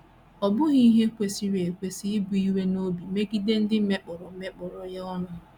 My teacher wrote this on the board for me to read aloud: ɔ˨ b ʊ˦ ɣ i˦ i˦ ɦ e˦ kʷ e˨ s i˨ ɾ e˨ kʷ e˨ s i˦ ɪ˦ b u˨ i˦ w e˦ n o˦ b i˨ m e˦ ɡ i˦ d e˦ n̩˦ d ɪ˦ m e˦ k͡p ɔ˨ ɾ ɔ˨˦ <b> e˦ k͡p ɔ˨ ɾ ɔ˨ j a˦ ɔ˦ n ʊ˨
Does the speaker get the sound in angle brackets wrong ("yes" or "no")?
yes